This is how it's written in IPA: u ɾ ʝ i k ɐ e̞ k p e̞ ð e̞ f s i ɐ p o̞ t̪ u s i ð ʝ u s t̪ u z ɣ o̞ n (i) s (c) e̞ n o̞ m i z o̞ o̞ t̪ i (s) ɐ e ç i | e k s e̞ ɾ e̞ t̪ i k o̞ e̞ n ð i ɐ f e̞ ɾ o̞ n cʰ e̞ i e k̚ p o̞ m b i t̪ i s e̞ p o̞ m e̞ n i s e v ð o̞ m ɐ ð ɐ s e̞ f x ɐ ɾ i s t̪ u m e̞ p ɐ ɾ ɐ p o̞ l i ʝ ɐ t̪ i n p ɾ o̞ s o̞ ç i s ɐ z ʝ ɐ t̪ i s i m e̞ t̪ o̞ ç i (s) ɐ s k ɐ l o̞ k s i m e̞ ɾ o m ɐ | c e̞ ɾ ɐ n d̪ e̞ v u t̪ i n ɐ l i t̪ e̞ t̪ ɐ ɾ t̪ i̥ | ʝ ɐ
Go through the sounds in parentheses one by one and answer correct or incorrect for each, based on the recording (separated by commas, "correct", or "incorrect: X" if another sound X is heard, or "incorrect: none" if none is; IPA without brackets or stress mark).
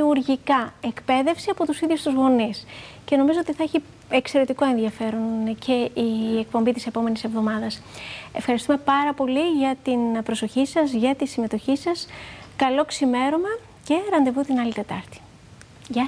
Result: correct, correct, incorrect: θ, correct